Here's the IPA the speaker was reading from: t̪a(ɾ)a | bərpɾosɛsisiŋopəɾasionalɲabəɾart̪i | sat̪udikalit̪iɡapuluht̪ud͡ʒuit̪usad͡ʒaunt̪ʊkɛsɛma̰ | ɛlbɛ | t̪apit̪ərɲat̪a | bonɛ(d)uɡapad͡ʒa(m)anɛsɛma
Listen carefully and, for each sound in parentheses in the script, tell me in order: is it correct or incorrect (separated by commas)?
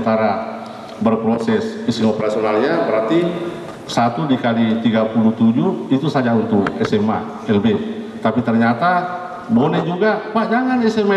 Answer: correct, incorrect, incorrect